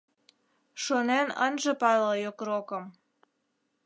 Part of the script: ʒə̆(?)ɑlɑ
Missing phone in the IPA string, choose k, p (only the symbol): p